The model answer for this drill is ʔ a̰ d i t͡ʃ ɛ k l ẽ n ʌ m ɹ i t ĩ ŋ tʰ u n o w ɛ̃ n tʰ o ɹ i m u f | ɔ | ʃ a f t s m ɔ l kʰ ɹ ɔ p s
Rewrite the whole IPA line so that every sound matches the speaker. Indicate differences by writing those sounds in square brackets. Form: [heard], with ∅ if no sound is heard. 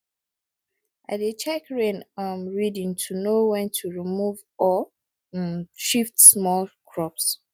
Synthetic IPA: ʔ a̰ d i t͡ʃ ɛ k [ɹ] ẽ n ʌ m ɹ i [d] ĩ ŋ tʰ u n o w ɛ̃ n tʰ [u] ɹ i m u [v] | ɔ | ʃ [i] f t s m ɔ l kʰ ɹ ɔ p s